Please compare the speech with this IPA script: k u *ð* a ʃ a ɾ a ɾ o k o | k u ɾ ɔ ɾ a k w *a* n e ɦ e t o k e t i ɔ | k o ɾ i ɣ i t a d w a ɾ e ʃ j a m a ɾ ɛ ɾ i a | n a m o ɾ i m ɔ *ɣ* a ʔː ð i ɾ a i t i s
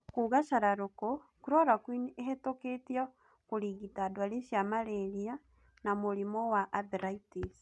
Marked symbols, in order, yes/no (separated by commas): no, no, no